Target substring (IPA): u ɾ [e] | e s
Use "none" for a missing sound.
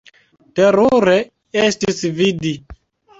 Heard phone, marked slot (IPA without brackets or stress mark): e